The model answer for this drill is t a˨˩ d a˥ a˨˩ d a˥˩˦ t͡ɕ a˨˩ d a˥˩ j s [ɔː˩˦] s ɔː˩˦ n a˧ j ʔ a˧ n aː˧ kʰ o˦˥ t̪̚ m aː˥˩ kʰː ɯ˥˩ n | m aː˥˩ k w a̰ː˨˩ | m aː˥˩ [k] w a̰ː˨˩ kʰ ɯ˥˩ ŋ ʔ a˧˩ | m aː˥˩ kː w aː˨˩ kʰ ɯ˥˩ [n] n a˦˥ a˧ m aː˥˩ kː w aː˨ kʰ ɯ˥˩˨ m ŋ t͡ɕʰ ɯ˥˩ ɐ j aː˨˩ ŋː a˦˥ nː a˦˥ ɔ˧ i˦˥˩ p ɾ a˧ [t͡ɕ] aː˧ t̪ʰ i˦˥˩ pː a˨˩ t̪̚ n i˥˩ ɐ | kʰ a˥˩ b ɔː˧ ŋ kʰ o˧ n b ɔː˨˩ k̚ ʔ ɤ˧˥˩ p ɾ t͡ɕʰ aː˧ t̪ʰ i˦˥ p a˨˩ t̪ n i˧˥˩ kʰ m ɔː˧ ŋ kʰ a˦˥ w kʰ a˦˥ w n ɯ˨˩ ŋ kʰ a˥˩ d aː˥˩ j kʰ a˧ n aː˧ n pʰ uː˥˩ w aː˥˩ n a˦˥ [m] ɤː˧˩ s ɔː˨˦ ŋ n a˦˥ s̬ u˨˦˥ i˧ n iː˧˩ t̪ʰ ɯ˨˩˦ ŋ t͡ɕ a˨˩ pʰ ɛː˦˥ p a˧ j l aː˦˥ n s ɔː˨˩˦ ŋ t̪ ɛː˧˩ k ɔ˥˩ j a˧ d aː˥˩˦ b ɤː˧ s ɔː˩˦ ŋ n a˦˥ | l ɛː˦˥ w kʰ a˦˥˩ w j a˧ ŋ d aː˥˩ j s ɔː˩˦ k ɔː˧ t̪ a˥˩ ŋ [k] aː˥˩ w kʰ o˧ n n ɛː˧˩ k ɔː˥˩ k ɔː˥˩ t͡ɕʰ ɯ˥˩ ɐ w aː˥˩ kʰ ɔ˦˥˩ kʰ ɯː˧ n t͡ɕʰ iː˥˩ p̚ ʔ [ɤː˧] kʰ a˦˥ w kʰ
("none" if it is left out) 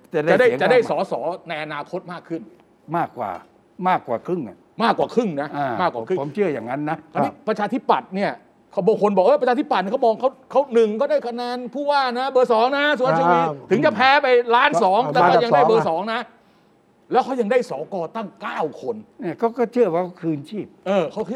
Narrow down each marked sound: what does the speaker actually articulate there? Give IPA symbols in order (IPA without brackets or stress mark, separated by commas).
ɔː˩˦, k, ŋ, t͡ɕʰ, b, k, ɤː˧